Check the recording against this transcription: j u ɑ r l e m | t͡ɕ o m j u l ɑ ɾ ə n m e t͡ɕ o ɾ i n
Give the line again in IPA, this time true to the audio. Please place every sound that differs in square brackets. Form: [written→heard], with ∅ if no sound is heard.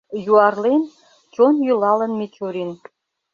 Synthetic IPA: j u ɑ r l e [m→n] | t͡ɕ o [m→n] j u l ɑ [ɾ→l] ə n m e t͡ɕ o ɾ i n